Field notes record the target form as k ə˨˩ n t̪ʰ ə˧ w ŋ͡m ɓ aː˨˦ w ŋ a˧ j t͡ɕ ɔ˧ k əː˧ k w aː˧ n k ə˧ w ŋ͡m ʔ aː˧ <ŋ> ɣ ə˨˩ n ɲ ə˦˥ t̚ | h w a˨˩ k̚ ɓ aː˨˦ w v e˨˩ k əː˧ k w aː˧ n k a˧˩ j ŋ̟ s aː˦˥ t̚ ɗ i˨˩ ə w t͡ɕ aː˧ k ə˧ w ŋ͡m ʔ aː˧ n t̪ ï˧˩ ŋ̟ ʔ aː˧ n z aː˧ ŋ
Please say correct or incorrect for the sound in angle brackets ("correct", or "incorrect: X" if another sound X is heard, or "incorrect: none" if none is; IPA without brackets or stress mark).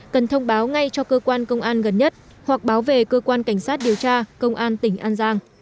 incorrect: n